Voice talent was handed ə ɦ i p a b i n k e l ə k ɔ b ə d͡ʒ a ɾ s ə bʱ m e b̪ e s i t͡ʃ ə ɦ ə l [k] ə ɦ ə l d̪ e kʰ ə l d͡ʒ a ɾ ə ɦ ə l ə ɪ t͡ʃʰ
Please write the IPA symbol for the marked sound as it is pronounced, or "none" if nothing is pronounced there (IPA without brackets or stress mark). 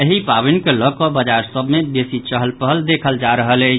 p